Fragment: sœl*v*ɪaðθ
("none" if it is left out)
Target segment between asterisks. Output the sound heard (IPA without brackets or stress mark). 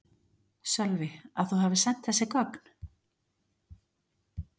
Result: v